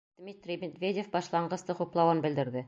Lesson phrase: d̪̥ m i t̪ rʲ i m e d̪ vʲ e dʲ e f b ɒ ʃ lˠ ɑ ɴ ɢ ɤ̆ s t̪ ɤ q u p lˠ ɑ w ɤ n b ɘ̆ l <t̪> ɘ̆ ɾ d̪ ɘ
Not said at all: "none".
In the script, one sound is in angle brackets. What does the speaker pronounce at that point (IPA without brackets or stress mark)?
d̪